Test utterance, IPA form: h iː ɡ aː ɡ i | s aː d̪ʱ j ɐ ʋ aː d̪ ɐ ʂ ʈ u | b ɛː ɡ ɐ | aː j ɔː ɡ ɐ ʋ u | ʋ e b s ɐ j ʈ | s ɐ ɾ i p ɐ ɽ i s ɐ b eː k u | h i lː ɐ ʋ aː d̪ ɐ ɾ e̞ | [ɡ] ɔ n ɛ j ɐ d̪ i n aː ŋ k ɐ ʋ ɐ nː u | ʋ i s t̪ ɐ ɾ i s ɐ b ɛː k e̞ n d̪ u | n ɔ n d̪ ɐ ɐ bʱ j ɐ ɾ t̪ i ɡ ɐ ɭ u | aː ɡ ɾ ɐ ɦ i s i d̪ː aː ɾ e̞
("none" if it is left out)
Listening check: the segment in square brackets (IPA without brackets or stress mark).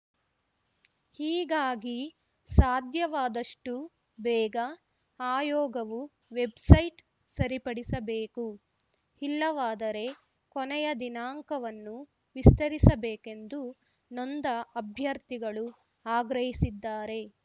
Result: k